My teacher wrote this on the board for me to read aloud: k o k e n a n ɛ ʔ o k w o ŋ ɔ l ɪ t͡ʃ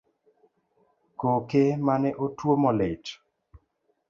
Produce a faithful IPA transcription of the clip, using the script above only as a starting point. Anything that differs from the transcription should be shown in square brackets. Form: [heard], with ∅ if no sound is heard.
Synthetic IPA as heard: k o k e [m] a n ɛ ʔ o [t] w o [m] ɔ l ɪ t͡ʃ